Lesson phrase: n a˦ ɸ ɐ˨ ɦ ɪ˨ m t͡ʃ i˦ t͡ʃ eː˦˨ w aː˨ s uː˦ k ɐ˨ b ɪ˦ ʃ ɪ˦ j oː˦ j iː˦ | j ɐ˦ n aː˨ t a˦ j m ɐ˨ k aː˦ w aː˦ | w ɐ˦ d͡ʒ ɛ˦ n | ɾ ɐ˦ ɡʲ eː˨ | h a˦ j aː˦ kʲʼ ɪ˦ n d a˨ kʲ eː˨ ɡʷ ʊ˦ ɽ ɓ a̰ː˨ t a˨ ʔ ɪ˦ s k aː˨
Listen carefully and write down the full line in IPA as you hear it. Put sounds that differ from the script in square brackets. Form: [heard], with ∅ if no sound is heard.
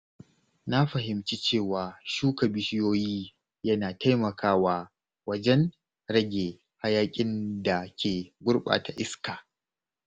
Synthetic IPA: n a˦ ɸ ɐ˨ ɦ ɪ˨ m t͡ʃ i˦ t͡ʃ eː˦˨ w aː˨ [ʃ] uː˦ k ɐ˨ b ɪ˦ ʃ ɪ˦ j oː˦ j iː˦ | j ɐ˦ n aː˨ t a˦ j m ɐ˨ k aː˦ w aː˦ | w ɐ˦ d͡ʒ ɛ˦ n | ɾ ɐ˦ ɡʲ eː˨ | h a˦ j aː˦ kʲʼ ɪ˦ n d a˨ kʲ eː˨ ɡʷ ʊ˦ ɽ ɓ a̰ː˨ t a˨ ʔ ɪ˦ s k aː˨